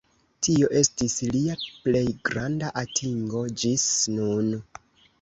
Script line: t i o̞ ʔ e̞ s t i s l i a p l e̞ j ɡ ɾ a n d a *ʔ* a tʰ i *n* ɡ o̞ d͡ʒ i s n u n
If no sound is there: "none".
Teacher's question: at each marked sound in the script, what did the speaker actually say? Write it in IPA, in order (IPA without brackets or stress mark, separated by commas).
ʔ, ŋ